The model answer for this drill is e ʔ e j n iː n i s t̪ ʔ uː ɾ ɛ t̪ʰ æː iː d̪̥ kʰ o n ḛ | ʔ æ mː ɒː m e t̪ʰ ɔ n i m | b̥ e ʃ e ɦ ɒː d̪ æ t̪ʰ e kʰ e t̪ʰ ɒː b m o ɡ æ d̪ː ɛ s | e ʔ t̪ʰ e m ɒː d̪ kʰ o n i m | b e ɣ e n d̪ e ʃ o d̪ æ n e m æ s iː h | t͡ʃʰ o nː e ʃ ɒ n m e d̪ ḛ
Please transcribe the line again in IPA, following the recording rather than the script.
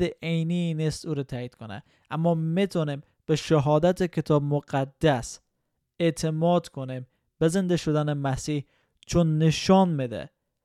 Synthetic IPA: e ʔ e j n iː n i s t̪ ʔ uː ɾ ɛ t̪ʰ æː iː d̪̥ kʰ o n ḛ | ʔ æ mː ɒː m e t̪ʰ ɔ n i m | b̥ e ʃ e ɦ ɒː d̪ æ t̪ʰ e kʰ e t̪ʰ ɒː b m o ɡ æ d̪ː æ s | e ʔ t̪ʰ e m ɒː d̪ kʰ o n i m | b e z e n d̪ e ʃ o d̪ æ n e m æ s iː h | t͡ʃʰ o nː e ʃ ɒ n m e d̪ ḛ